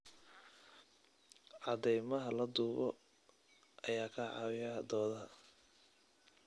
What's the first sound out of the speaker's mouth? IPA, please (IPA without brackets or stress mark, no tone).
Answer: ʕ